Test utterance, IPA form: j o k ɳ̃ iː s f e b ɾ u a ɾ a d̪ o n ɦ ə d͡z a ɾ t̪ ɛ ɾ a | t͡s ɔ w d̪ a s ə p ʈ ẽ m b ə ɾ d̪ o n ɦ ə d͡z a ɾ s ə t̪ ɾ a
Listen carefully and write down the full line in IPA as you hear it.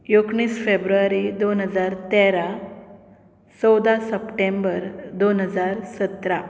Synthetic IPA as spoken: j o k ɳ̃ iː s f e b ɾ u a ɾ i d̪ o n ɦ ə d͡z a ɾ t̪ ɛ ɾ a | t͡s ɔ w d̪ a s ə p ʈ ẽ m b ə ɾ d̪ o n ɦ ə d͡z a ɾ s ə t̪ ɾ a